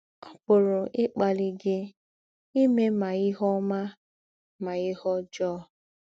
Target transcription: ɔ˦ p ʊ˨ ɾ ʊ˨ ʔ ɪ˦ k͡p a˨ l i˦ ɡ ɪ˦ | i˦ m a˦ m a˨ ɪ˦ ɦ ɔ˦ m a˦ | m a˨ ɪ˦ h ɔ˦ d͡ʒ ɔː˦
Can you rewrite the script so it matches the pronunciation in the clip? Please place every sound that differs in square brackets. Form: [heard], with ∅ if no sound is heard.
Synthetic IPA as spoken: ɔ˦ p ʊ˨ ɾ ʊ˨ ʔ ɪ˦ k͡p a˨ l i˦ ɡ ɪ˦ | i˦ m [e˦] m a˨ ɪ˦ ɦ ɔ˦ m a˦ | m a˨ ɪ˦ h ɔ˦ d͡ʒ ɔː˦